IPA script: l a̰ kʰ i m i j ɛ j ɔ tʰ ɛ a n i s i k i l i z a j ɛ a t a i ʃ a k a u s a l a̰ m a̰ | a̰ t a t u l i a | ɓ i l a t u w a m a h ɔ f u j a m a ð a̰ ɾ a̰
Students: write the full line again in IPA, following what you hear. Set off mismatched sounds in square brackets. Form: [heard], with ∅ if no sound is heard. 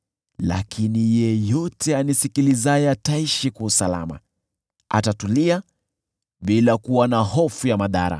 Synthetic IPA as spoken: l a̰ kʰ i [n] i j ɛ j ɔ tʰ ɛ a n i s i k i l i z a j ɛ a t a i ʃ [i] k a u s a l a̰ m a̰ | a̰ t a t u l i a | ɓ i l a [k] u w a [n] a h ɔ f u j a m a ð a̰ ɾ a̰